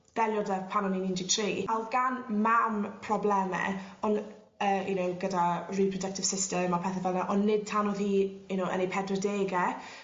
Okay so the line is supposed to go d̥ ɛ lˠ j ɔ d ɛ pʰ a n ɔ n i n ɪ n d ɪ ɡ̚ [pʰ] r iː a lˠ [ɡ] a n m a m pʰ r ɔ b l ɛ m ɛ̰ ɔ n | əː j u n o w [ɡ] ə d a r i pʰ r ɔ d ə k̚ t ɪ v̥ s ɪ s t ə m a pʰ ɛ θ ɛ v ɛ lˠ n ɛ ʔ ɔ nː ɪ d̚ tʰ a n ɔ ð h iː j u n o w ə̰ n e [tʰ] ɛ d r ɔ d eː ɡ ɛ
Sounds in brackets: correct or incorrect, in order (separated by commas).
incorrect, correct, correct, incorrect